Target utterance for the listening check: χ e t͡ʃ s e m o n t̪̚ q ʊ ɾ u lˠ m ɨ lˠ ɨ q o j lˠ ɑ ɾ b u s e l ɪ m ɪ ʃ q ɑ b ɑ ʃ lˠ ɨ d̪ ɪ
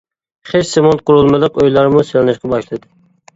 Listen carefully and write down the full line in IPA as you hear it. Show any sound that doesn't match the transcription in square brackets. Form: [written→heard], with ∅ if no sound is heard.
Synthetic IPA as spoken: χ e t͡ʃ s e m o n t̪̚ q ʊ ɾ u lˠ m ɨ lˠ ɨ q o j lˠ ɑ ɾ [b→m] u s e l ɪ [m→n] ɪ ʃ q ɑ b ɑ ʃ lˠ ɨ d̪ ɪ